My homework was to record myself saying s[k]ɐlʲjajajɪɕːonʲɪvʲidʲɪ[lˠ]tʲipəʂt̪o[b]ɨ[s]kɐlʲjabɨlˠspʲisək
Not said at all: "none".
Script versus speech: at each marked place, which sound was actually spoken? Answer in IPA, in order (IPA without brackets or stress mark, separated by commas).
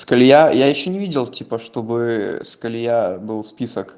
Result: k, lˠ, b, s